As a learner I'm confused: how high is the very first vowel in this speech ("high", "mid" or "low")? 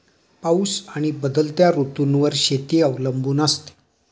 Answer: low